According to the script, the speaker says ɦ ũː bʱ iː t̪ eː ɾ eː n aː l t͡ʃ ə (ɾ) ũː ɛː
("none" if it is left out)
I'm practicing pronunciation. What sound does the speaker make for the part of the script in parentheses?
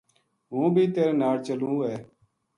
l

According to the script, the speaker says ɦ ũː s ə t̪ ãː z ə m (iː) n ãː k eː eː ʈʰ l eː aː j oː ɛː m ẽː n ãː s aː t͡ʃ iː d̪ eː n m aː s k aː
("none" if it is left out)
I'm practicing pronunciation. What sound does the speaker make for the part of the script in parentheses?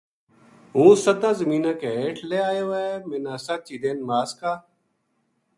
iː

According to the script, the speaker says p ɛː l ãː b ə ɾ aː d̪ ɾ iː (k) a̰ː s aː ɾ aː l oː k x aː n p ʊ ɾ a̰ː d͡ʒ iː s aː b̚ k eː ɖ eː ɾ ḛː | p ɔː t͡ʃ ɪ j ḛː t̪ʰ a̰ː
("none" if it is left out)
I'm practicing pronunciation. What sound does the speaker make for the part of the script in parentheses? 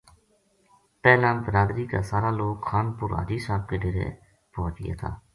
k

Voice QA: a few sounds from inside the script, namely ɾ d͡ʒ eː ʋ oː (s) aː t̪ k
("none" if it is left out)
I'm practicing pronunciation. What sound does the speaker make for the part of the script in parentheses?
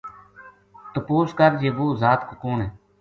z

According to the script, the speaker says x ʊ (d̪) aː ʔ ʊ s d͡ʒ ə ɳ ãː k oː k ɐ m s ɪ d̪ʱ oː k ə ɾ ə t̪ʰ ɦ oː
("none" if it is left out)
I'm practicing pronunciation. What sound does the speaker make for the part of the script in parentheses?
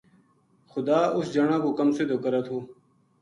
d̪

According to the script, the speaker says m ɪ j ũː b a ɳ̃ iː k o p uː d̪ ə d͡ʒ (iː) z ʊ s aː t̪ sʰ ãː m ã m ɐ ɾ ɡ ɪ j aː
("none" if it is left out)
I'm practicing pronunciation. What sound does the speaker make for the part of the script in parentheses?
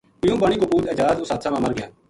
aː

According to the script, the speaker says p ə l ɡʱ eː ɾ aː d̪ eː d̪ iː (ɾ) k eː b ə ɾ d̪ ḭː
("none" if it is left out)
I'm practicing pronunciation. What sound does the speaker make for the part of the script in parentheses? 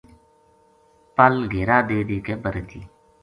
none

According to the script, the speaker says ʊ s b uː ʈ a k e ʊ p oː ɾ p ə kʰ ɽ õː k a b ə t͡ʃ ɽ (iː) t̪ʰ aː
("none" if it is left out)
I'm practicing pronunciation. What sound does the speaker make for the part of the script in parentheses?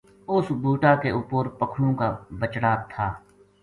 aː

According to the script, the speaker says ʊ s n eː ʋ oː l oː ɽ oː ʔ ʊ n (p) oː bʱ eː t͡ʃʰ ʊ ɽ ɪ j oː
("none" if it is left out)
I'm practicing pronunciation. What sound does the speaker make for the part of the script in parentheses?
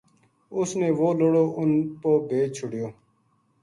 p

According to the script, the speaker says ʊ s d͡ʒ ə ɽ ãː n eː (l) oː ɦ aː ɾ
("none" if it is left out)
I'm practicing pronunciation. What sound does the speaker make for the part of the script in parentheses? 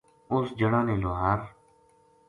l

